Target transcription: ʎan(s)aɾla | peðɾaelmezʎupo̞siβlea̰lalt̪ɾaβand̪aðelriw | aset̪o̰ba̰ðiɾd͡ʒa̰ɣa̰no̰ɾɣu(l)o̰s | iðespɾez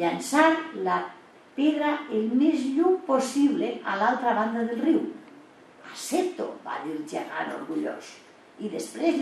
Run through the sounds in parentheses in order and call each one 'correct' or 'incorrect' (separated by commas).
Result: correct, incorrect